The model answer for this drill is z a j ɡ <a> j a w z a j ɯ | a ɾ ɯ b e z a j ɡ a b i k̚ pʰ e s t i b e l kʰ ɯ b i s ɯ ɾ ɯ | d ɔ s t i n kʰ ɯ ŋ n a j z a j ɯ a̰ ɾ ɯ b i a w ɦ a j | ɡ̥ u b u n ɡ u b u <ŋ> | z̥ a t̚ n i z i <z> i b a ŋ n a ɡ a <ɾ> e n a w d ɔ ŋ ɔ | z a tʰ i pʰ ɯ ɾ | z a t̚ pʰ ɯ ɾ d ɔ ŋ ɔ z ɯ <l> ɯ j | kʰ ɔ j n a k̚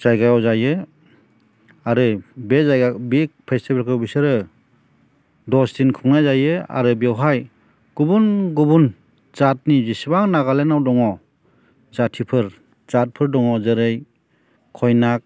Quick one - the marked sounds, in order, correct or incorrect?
correct, incorrect: n, incorrect: s, incorrect: l, incorrect: ɾ

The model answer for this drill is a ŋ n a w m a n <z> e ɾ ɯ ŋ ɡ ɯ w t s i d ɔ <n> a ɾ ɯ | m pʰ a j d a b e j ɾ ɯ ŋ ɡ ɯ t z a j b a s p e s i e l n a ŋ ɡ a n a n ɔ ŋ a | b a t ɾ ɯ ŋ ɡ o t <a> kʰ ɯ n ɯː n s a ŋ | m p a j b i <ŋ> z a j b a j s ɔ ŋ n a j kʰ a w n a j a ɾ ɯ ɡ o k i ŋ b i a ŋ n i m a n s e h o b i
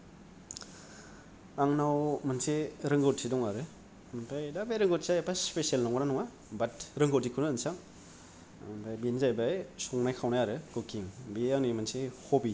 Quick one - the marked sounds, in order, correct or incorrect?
incorrect: s, incorrect: ŋ, incorrect: i, incorrect: n

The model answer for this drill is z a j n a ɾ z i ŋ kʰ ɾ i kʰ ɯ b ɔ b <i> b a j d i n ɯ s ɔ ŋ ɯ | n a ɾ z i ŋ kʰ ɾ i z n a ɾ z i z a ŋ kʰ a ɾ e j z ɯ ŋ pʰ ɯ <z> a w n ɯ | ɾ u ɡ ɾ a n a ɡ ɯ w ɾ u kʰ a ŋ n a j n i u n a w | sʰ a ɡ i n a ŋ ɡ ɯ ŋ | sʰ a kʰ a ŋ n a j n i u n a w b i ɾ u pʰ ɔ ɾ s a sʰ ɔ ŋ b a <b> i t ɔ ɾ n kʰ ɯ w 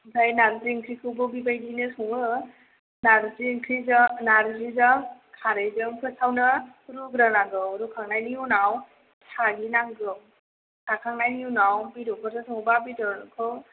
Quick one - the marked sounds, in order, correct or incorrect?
correct, incorrect: s, correct

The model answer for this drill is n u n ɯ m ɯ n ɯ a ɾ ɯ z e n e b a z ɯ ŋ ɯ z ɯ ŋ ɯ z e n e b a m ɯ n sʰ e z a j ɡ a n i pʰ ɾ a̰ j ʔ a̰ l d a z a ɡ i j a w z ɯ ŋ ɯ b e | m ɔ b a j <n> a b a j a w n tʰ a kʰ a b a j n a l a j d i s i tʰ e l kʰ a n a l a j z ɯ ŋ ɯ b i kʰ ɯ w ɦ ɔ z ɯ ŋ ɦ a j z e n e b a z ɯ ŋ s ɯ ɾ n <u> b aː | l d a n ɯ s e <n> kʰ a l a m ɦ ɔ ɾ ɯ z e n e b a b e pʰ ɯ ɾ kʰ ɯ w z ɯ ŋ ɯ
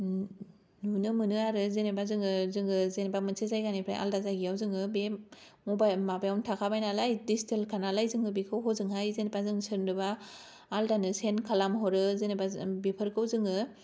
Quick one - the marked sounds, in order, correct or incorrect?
incorrect: m, incorrect: ɯ, correct

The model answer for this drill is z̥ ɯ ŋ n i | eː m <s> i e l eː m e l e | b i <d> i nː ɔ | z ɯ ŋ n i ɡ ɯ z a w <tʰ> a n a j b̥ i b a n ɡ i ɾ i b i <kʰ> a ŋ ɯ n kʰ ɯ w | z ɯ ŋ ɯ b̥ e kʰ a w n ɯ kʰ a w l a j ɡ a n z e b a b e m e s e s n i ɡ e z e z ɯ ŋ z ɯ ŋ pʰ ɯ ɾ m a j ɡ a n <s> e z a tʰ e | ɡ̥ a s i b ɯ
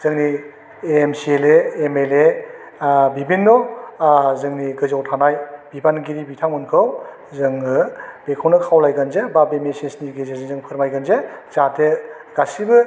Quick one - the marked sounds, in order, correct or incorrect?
correct, incorrect: b, correct, incorrect: tʰ, incorrect: z

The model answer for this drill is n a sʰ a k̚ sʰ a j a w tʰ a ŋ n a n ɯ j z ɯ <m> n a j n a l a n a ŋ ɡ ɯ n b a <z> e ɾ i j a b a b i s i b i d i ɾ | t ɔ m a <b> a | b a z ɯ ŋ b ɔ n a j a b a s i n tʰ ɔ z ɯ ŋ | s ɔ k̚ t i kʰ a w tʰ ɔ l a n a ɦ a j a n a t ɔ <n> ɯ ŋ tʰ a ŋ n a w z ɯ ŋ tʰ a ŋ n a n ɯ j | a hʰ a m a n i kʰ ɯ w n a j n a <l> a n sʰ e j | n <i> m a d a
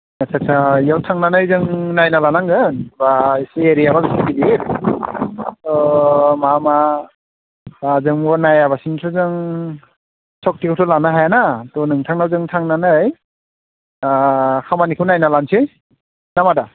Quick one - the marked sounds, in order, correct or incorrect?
incorrect: ŋ, incorrect: s, incorrect: m, correct, correct, incorrect: a

